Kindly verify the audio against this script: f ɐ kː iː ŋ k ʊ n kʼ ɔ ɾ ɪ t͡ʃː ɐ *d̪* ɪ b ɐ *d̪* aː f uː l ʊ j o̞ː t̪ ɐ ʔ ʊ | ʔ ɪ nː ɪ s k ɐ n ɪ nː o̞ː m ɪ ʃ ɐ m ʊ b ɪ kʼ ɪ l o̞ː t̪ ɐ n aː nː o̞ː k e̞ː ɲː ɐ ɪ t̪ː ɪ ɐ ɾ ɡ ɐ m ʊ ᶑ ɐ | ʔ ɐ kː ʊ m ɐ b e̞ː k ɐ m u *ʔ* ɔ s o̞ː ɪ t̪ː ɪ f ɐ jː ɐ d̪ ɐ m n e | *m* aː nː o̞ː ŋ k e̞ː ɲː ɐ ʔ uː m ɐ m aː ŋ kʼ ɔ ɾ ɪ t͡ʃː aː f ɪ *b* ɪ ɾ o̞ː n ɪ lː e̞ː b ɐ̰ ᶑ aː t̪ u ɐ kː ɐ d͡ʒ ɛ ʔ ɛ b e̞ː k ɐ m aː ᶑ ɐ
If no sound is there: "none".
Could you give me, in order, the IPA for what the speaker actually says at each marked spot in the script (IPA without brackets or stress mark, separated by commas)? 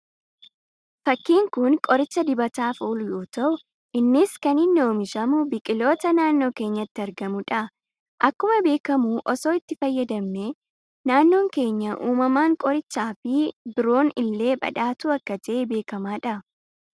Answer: d̪, t̪, ʔ, n, b